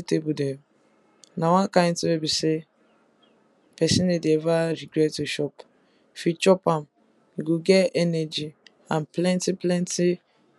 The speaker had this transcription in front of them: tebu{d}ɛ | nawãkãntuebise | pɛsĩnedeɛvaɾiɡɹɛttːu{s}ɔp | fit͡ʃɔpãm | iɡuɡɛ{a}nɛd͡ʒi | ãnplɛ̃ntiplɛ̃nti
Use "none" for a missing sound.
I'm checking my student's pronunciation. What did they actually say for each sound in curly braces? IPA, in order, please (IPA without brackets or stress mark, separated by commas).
d, ʃ, ɛ